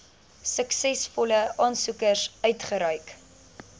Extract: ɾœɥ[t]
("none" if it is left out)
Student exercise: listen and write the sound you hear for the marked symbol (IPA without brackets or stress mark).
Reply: k